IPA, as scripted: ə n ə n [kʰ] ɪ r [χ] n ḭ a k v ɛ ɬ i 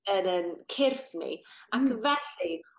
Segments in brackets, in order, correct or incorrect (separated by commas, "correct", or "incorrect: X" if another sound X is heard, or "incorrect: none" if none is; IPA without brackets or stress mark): correct, incorrect: f